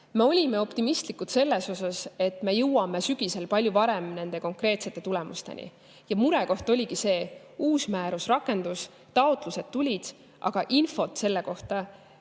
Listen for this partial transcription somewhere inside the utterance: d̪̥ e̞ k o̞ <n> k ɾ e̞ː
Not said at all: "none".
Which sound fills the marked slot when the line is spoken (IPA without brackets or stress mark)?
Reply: ŋ